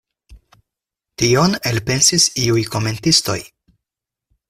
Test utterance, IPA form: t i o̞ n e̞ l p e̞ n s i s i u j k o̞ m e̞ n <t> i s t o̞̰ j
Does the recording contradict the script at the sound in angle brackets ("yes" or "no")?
no